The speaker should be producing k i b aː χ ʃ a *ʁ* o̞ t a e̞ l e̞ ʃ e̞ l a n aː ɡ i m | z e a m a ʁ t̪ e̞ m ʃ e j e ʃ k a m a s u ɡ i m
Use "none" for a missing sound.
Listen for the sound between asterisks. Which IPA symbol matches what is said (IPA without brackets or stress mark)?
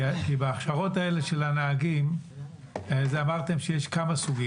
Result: ʁ